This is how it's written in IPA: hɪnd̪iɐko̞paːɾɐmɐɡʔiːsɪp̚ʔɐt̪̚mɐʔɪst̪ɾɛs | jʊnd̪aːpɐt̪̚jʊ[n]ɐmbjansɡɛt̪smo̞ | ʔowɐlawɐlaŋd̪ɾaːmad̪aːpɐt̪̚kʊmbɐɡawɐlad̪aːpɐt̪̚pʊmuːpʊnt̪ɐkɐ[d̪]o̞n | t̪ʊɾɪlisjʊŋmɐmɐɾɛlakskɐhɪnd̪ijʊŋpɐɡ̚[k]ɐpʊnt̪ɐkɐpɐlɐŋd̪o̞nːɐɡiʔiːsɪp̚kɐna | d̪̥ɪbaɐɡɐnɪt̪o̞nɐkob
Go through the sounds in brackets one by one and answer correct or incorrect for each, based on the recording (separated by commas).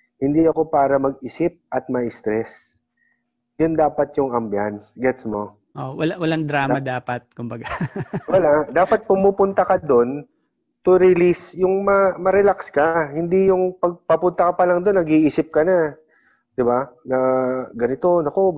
incorrect, correct, incorrect